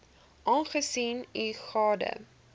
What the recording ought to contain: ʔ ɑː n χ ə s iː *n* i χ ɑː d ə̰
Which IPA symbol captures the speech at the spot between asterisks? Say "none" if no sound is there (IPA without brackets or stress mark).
n